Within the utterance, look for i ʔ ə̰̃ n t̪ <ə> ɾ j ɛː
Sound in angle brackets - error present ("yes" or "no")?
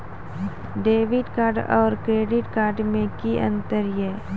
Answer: no